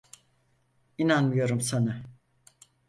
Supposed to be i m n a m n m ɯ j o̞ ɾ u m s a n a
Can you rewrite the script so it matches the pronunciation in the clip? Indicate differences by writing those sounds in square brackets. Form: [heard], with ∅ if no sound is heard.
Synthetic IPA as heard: i [∅] n a [∅] n m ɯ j o̞ ɾ u m s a n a

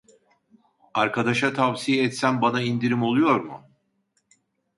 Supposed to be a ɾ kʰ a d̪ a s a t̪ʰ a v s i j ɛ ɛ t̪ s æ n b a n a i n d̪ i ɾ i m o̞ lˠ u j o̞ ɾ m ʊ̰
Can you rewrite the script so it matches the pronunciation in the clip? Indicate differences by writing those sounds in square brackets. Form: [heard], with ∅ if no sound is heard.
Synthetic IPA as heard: a ɾ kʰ a d̪ a [ʃ] a t̪ʰ a v s i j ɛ ɛ t̪ s æ n b a n a i n d̪ i ɾ i m o̞ lˠ u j o̞ ɾ m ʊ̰

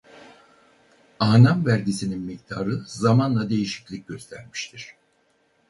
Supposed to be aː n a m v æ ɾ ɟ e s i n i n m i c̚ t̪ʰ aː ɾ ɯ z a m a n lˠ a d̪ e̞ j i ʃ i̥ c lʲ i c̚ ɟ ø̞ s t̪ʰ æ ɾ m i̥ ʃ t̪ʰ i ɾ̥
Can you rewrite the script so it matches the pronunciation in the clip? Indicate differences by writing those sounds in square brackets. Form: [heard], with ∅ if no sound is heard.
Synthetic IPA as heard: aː n a m v æ ɾ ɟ [i] s i n i n m i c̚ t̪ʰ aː ɾ ɯ z a m a n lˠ a d̪ e̞ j i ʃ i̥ c lʲ i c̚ ɟ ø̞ s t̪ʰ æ ɾ m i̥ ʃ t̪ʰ i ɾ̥

